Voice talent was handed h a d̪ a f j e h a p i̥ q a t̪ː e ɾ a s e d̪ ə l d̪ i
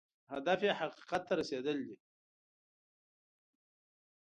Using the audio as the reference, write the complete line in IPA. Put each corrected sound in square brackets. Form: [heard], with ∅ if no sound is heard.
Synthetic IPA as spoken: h a d̪ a f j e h a [q] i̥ q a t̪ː [a] ɾ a s e d̪ ə l d̪ i